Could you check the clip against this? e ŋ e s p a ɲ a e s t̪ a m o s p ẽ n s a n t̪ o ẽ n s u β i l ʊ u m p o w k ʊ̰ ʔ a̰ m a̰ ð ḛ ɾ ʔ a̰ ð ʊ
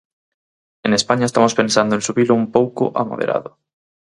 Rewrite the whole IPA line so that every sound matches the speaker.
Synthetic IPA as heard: e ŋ e s p a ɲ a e s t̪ a m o s p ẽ n s a n d̪ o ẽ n s u β i l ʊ u m p o w k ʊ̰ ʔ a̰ m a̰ ð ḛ ɾ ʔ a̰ ð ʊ